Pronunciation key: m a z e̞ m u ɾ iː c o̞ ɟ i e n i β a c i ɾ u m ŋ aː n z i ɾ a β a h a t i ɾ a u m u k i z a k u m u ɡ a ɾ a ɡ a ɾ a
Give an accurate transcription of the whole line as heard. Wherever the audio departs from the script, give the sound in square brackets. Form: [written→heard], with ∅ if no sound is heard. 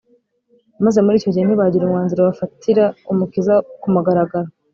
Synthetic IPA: m a z e̞ m u ɾ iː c o̞ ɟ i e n i β a [c→ɟ] i ɾ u m ŋ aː n z i ɾ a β a [h→f] a t i ɾ a u m u k i z a k u m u ɡ a ɾ a ɡ a ɾ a